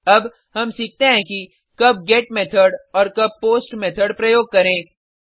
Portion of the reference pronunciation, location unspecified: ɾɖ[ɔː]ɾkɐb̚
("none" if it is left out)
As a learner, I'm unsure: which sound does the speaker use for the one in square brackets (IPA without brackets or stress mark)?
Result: ɔː